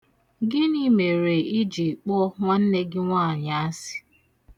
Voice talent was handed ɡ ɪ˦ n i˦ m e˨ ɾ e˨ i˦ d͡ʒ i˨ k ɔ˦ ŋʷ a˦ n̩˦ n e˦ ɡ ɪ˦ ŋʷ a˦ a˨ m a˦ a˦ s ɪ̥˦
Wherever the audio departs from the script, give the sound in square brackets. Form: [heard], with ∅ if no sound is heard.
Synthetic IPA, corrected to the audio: ɡ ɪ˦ n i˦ m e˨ ɾ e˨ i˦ d͡ʒ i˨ [k͡p] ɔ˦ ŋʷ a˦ n̩˦ n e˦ ɡ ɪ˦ ŋʷ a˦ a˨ [ɲ] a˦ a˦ s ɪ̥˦